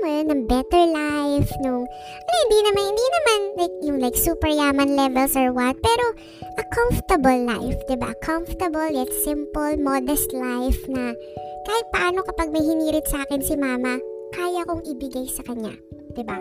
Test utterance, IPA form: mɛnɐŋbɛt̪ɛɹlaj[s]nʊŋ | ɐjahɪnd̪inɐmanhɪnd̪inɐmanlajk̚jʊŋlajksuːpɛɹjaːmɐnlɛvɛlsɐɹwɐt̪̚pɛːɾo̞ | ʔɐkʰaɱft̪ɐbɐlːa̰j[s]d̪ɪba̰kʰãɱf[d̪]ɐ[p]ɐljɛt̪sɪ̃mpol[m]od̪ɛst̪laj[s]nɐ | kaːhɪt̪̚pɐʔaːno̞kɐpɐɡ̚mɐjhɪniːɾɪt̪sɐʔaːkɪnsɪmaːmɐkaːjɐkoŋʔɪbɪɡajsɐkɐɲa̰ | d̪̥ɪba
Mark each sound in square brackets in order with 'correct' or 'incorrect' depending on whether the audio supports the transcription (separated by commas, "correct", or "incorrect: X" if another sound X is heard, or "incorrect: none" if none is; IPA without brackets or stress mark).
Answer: incorrect: f, incorrect: f, incorrect: t̪, incorrect: b, correct, incorrect: f